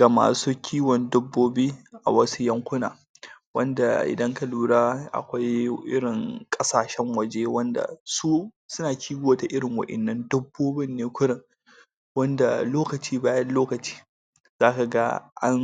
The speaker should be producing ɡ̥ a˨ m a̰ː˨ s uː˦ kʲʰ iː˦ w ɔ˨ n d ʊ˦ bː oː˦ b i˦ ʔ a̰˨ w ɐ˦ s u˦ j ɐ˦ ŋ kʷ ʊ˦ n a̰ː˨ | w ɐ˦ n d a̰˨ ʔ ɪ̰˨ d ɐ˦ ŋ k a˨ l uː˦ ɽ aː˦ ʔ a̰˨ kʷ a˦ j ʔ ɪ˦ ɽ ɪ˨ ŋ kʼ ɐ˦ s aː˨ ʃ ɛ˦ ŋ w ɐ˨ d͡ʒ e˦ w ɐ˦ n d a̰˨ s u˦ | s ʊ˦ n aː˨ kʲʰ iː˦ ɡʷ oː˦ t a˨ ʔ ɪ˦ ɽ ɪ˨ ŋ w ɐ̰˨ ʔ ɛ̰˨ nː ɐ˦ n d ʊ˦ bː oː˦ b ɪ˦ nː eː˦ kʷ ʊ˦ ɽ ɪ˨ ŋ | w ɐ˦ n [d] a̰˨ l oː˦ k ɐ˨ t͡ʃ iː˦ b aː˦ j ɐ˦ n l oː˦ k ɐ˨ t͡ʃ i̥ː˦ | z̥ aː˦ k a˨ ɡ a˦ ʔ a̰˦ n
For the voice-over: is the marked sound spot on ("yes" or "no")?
yes